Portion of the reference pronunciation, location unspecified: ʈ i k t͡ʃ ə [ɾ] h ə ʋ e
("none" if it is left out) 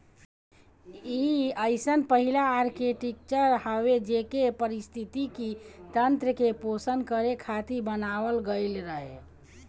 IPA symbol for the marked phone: ɾ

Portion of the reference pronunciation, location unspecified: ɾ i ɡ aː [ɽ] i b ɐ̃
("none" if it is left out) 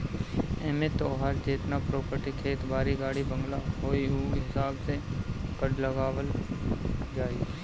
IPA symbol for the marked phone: ɽ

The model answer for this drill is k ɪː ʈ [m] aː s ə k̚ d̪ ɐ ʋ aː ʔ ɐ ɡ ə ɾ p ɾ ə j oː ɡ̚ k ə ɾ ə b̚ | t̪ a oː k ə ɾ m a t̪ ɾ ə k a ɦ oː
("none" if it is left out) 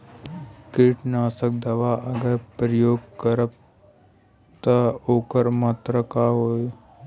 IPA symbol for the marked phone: n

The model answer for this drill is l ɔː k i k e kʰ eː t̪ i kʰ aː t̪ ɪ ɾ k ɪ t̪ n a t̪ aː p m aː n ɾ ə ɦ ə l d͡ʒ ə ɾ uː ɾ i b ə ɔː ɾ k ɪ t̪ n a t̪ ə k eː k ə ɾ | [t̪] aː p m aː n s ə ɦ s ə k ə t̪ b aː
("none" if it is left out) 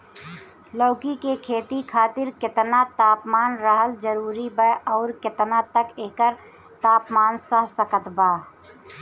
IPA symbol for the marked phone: t̪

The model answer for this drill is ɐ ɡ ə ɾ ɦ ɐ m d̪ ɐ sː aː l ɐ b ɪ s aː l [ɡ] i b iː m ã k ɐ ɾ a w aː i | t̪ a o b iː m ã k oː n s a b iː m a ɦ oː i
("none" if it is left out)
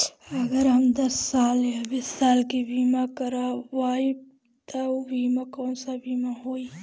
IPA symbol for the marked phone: k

